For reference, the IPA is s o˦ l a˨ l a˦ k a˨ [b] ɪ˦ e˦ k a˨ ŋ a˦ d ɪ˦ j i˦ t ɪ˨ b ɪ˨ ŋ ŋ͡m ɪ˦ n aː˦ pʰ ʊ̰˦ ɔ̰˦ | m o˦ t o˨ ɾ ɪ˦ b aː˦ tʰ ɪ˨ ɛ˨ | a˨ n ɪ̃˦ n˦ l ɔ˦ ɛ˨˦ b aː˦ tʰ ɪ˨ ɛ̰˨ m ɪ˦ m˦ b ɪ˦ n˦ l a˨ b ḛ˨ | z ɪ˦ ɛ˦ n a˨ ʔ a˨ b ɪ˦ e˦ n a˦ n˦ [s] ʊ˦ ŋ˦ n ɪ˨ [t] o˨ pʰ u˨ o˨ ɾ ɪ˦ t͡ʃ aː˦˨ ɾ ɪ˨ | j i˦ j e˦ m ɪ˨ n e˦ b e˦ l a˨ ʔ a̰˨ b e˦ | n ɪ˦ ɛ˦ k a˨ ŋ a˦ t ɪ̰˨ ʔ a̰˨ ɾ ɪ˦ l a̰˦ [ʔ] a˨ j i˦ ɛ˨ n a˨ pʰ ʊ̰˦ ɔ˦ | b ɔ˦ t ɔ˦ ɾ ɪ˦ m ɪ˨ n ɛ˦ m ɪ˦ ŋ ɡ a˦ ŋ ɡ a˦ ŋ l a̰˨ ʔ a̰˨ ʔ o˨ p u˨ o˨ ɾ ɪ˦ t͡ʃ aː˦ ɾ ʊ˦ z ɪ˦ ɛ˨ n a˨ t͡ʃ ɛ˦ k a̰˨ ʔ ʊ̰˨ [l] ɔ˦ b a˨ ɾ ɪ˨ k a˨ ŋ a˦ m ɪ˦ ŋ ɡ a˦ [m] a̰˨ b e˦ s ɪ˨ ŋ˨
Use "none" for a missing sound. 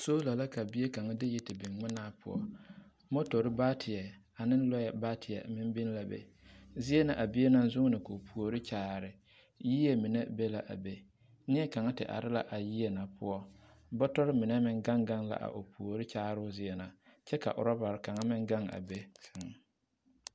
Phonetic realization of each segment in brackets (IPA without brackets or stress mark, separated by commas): b, z, k, ʔ, ɾ, ŋ